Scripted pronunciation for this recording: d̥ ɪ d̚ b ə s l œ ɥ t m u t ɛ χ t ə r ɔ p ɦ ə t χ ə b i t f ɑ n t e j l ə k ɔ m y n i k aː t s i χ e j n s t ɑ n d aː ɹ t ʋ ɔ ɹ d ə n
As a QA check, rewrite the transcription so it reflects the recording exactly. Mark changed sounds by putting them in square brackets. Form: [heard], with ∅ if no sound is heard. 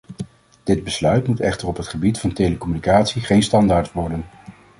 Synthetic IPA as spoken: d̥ ɪ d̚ b ə s l œ ɥ t m u t ɛ χ t ə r ɔ p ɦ ə t χ ə b i t f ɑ n t e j l ə k ɔ m y n i k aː t s i χ e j n s t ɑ n d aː ɹ t ʋ ɔ ɹ d ə n